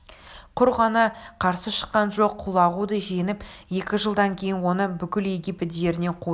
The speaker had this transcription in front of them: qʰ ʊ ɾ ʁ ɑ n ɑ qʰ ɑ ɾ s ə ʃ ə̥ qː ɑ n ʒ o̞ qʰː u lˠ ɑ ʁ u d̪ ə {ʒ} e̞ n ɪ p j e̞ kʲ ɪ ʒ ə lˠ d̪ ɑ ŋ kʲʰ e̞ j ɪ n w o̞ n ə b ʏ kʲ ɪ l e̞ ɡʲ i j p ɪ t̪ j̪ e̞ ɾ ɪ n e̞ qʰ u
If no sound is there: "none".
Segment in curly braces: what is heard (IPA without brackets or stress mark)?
ʒ